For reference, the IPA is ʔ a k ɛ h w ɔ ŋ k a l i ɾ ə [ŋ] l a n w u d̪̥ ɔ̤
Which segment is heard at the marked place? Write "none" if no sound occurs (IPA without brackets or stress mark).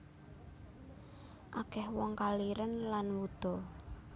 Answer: n